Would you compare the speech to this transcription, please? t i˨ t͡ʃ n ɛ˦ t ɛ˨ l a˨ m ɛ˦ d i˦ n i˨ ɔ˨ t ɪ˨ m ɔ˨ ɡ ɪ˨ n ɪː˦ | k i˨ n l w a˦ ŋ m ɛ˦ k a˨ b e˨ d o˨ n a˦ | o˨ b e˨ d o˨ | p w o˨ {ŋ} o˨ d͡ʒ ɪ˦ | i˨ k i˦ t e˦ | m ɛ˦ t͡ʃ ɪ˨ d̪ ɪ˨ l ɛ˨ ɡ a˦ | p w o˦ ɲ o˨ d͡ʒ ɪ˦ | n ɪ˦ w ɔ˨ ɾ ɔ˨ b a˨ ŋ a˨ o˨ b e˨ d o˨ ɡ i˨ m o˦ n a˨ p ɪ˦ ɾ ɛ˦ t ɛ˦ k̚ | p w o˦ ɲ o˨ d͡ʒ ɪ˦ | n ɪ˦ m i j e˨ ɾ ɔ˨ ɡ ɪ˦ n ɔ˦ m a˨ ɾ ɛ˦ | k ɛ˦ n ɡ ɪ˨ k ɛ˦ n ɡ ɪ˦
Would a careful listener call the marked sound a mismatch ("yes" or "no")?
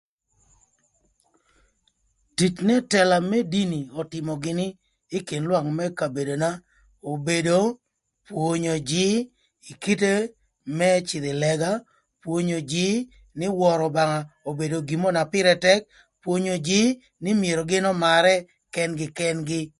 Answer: yes